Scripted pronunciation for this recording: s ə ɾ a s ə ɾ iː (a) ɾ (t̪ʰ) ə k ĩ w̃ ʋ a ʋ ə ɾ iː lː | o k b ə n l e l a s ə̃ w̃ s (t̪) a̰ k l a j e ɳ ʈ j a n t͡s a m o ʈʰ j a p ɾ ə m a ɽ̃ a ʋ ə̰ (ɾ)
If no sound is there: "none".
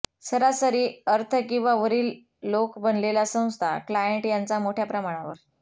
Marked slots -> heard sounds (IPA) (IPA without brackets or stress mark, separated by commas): ə, t̪ʰ, t̪ʰ, ɾ